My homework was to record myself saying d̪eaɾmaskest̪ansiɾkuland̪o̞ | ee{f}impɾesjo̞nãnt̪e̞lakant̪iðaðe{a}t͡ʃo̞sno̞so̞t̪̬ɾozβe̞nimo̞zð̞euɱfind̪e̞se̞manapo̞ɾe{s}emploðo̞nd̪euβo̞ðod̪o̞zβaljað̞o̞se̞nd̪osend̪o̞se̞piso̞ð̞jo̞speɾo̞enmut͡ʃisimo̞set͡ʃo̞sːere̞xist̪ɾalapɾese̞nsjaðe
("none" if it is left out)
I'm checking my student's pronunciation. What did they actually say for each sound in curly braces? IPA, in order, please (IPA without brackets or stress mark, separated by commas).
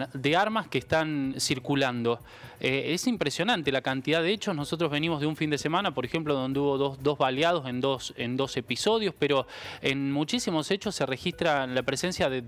s, e, x